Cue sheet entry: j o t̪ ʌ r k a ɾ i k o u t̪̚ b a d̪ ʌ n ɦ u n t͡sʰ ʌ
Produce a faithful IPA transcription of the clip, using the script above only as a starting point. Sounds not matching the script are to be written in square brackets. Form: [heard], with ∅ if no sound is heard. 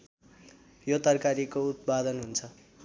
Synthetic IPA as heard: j o t̪ ʌ r k a ɾ i k o u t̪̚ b a d̪ ʌ n ɦ u n t͡sʰ ʌ